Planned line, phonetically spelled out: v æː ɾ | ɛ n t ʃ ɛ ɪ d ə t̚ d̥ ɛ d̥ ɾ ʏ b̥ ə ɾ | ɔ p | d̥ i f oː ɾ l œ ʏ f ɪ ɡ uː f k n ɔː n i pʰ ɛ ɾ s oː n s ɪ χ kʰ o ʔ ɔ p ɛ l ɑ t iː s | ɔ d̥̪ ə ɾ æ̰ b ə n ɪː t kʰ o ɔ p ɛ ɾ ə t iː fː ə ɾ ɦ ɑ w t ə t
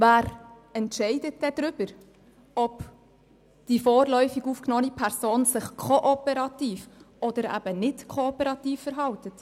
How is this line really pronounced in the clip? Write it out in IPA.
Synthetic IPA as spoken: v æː ɾ | ɛ n t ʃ ɛ ɪ d ə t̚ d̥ ɛ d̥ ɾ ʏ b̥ ə ɾ | ɔ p | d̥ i f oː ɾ l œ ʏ f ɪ ɡ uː f k n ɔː n i pʰ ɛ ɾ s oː n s ɪ χ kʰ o ʔ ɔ p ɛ ɾ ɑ t iː f | ɔ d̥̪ ə ɾ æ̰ b ə n ɪ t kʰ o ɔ p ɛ ɾ ɑ t iː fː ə ɾ ɦ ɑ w t ə t